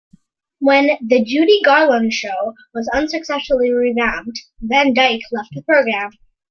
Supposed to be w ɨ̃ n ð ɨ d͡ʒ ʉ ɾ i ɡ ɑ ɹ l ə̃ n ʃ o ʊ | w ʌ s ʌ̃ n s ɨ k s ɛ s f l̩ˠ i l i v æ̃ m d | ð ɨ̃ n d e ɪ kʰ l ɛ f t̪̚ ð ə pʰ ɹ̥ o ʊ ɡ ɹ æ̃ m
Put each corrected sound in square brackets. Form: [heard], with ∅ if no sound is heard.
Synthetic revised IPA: w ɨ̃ n ð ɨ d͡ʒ ʉ ɾ i ɡ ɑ ɹ l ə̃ n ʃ o ʊ | w ʌ [z] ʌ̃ n s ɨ k s ɛ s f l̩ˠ i [ɹ] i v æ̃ m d | ð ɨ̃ n d [a] ɪ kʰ l ɛ f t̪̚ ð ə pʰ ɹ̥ o ʊ ɡ ɹ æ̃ m